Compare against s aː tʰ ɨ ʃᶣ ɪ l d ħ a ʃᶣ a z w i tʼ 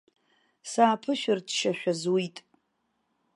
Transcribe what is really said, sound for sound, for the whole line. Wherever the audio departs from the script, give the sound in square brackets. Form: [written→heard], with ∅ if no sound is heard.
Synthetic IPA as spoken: s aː [tʰ→pʰ] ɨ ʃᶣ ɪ [l→r] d [ħ→ʃ] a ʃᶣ a z w i tʼ